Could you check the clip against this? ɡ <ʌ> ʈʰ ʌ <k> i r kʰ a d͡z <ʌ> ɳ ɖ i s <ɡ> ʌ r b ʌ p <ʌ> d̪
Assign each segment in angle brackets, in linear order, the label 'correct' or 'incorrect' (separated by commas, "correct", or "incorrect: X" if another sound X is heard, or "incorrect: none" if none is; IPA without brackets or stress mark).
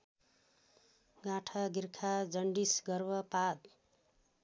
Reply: incorrect: a, incorrect: ɡ, correct, correct, incorrect: a